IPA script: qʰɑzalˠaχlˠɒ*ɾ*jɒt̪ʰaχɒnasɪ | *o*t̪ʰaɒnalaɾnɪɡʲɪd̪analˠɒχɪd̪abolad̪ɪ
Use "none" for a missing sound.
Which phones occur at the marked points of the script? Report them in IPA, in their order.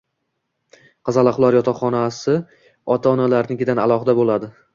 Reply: ɾ, ɒ

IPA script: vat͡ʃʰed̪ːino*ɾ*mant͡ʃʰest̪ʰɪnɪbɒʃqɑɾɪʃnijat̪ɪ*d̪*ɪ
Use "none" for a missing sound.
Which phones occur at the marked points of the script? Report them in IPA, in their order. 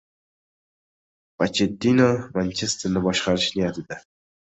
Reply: none, d̪

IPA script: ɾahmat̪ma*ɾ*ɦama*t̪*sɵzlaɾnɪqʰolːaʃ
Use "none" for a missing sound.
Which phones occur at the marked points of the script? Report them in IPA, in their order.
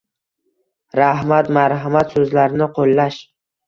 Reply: ɾ, t̪

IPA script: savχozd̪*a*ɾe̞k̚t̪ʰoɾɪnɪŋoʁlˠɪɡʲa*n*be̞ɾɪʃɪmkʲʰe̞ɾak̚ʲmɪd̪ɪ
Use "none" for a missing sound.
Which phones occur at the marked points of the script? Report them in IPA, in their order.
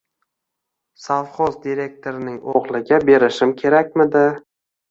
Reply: i, none

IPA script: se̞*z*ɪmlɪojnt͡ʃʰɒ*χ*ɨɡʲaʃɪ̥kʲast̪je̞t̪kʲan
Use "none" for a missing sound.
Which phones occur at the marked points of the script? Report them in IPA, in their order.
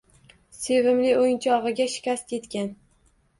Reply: v, ʁ

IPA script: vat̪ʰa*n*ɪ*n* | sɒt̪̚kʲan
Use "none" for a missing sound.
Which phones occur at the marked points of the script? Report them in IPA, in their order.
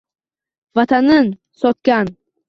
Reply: n, n

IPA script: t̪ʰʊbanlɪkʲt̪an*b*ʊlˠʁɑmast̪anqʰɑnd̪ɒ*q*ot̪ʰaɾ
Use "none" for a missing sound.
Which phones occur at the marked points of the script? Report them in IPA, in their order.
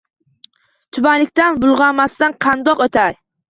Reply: b, q

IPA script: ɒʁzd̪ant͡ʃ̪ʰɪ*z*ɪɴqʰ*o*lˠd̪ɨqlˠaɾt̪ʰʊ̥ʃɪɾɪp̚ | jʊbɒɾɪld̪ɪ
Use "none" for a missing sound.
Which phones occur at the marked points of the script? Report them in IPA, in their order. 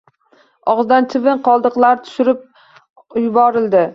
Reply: v, ɒ

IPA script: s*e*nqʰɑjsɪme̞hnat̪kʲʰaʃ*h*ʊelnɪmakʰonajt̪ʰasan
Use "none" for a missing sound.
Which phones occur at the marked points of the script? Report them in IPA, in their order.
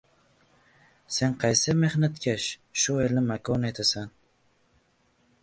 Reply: e, ʃ

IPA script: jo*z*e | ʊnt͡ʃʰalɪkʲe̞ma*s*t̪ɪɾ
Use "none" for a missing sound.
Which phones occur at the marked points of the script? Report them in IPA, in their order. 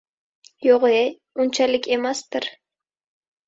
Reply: ʁ, s

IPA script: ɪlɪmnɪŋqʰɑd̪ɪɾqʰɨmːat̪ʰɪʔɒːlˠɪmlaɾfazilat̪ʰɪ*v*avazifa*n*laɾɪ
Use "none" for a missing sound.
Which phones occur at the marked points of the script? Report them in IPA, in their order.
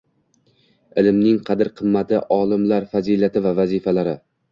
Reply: v, none

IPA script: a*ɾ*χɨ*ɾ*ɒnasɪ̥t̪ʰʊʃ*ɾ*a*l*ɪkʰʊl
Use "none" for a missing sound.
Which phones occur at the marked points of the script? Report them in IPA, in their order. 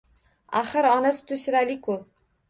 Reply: none, ɾ, ɾ, l

